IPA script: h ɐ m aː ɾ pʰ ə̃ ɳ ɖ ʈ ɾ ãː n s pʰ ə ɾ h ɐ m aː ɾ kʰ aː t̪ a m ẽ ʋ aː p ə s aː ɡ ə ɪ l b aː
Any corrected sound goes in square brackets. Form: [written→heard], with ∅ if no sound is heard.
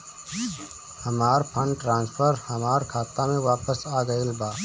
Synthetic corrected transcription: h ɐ m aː ɾ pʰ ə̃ ɳ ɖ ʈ ɾ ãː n s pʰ ə ɾ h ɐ m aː ɾ kʰ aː t̪ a m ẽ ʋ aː p ə s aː ɡ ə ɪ l b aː